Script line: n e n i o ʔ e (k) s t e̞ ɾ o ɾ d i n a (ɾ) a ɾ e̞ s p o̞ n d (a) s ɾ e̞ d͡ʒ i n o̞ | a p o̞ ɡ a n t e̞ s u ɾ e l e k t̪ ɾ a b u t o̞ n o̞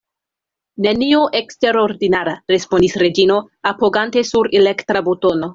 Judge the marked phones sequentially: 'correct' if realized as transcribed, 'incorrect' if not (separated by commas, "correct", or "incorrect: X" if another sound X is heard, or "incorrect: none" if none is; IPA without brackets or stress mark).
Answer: correct, correct, incorrect: i